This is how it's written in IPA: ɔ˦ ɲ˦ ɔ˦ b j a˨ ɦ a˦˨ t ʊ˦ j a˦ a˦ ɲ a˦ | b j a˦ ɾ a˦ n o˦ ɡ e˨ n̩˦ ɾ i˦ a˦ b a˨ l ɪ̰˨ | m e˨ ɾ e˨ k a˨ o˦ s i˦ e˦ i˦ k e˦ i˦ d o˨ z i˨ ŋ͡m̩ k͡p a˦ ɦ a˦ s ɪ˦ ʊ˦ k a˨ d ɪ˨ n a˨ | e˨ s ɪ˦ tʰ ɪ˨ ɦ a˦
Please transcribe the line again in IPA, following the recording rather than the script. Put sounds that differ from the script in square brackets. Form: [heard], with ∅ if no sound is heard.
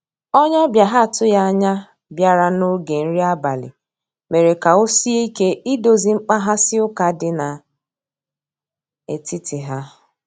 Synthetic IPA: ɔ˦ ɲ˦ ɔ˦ b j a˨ ɦ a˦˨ t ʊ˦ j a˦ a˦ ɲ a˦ | b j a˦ ɾ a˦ n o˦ ɡ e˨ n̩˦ ɾ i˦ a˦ b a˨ l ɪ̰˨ | m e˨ ɾ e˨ k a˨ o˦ s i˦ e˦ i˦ k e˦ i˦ d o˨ z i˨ ŋ͡m̩ k͡p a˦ ɦ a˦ s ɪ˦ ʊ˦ k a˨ d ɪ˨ n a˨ | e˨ [t] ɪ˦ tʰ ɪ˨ ɦ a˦